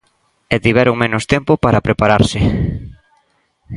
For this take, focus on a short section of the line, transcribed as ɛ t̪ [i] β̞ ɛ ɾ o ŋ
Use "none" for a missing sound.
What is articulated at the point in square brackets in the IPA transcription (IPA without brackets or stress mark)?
i